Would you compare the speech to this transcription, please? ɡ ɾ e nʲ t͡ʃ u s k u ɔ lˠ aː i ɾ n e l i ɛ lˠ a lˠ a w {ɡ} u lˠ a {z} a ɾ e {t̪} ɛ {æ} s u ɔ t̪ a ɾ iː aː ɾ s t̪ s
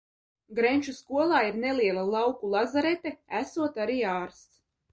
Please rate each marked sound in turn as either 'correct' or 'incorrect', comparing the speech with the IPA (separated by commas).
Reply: incorrect, correct, correct, correct